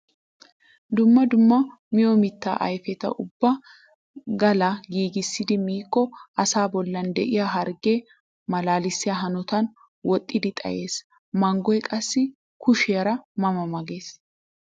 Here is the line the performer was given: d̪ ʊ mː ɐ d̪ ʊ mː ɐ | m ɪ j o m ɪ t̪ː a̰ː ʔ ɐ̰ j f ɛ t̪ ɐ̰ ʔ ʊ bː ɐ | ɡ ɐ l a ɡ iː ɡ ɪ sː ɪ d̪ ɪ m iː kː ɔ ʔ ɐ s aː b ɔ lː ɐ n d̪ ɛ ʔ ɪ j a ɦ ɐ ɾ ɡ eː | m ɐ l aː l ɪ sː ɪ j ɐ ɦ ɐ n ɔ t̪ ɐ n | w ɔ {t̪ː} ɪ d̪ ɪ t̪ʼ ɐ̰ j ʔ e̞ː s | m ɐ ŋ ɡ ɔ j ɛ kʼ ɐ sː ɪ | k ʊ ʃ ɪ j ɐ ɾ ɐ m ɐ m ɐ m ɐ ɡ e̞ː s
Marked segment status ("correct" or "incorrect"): incorrect